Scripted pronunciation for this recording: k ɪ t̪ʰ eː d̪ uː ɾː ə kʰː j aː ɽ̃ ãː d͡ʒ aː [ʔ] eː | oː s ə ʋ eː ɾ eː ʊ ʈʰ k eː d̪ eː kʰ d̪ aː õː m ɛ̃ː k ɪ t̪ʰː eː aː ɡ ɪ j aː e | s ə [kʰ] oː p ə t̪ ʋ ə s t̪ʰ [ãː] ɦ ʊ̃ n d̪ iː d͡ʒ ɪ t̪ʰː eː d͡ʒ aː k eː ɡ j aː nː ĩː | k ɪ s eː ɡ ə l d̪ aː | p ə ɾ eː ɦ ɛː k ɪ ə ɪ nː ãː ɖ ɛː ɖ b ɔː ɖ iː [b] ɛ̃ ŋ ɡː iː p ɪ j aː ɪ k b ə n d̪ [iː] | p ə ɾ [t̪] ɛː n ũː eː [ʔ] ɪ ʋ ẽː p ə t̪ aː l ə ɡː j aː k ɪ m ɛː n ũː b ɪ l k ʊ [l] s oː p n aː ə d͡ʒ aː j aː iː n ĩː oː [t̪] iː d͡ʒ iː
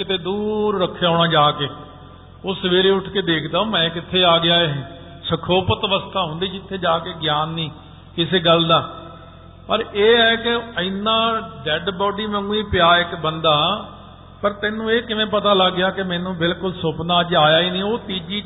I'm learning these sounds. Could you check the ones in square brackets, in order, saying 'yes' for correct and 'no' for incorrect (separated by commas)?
no, yes, no, no, no, yes, no, yes, yes